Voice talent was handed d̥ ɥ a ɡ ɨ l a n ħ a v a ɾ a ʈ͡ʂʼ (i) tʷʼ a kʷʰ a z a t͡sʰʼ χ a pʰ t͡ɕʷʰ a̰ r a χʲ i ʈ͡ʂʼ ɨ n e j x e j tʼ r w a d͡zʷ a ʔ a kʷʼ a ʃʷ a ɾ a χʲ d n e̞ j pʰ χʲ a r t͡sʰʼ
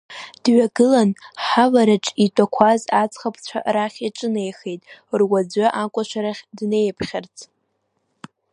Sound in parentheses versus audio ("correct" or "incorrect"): correct